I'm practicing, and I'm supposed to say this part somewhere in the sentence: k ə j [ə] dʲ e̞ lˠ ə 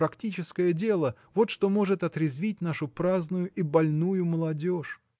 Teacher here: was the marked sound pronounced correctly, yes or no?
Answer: yes